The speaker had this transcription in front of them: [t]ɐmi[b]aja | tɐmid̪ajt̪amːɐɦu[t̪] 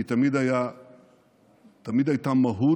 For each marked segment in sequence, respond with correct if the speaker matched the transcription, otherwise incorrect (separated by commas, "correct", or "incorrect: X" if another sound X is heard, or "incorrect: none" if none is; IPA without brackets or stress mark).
correct, incorrect: d, incorrect: none